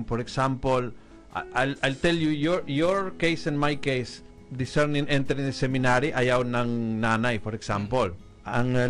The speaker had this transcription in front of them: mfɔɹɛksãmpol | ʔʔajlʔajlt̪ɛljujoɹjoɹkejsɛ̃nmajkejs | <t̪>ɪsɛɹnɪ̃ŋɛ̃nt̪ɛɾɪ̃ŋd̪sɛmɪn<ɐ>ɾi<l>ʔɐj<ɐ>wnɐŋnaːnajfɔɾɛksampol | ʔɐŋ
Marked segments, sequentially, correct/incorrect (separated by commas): incorrect, incorrect, incorrect, incorrect